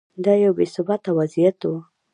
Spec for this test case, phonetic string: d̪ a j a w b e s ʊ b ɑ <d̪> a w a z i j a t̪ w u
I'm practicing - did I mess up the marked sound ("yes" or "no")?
yes